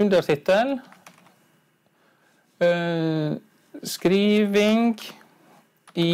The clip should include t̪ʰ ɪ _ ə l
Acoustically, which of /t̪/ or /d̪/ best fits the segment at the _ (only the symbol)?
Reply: t̪